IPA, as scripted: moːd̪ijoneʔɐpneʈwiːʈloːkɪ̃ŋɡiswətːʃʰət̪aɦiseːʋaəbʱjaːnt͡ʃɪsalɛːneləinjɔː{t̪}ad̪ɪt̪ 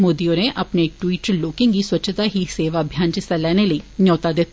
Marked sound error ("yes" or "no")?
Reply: no